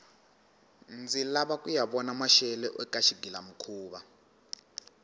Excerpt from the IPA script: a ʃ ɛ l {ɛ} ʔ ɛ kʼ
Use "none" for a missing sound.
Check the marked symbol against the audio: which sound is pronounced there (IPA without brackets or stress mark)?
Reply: ɛ